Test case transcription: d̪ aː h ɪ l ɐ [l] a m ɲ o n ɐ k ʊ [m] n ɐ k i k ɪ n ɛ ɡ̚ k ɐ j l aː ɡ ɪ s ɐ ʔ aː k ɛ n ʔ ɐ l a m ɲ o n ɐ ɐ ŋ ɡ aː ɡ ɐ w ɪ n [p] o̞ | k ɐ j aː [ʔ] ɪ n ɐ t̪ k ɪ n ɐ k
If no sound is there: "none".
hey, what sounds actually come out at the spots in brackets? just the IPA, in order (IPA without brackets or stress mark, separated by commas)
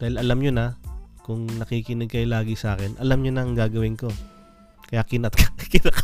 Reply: l, ŋ, k, k